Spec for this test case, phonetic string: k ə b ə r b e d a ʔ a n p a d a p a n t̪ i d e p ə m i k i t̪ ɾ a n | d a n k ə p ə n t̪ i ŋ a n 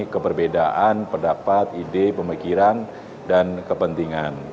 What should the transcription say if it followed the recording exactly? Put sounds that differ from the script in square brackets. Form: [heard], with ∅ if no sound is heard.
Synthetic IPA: k ə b ə r b e d a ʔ a n p [ə] d a p a [∅] t̪ i d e p ə m i k i [∅] ɾ a n | d a n k ə p ə n t̪ i ŋ a n